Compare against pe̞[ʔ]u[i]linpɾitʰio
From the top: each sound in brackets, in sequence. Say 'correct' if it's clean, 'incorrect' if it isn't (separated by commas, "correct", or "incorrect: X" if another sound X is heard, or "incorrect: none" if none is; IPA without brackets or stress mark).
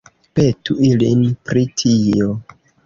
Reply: incorrect: t, correct